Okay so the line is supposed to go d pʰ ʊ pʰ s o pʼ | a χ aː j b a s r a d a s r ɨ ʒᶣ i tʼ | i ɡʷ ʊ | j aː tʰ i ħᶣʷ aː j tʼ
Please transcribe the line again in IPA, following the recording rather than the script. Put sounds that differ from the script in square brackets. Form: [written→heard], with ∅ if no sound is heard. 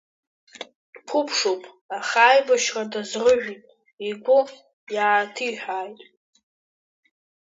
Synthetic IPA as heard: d pʰ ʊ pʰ [s→ʂ] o pʼ | a χ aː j b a [s→ʃ] r a d a [s→z] r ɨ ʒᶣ i tʼ | i ɡʷ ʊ | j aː tʰ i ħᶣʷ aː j tʼ